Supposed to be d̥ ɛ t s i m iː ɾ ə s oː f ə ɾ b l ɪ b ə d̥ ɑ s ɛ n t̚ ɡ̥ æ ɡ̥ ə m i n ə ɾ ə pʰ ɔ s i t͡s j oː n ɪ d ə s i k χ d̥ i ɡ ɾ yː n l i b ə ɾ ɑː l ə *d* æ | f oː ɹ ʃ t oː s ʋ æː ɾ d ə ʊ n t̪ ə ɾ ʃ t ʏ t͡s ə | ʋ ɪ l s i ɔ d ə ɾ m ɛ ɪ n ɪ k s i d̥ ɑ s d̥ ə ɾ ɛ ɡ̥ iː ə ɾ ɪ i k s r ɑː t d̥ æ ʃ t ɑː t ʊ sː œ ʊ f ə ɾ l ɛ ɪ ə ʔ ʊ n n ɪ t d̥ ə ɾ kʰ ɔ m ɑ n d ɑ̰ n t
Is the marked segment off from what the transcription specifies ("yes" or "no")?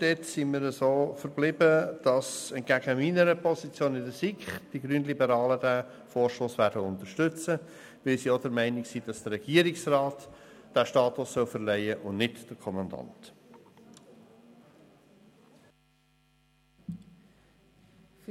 no